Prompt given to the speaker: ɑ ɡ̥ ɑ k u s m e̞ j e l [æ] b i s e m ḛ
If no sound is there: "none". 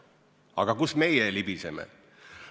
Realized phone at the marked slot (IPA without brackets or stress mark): i